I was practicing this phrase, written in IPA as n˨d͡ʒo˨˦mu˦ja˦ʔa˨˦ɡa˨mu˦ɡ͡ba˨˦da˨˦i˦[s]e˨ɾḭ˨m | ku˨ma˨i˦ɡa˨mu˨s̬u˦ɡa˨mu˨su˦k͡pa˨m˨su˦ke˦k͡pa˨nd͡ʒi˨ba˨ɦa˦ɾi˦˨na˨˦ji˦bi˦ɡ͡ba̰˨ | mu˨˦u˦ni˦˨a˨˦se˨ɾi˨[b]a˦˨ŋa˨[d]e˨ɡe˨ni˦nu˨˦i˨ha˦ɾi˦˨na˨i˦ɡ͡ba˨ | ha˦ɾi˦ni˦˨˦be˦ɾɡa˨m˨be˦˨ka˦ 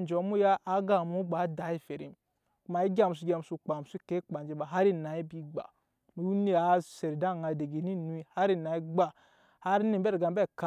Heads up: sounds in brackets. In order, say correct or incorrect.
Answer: incorrect: f, incorrect: d, correct

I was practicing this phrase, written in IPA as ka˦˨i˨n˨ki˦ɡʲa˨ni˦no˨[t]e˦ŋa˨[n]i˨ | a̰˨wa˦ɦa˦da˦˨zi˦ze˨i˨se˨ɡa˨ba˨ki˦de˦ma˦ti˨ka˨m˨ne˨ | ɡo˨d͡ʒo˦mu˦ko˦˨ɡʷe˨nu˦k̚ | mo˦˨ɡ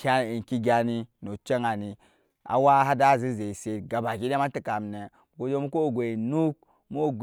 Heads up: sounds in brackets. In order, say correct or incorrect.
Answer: incorrect: t͡ʃ, correct

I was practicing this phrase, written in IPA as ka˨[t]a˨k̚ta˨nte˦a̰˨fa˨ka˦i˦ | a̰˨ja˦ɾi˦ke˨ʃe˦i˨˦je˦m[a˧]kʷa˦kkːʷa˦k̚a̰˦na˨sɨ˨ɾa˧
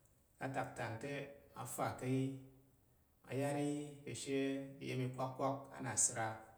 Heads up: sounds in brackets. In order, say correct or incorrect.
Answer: correct, incorrect: i˧

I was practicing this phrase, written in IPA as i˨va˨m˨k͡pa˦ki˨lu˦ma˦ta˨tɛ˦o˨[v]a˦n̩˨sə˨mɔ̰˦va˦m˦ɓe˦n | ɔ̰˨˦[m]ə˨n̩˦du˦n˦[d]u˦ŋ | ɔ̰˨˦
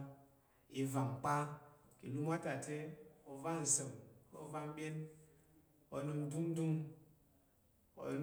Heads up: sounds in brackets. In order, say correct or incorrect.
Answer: correct, incorrect: n, correct

